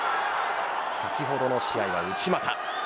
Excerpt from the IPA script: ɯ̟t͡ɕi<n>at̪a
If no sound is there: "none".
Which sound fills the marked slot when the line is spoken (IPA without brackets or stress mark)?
m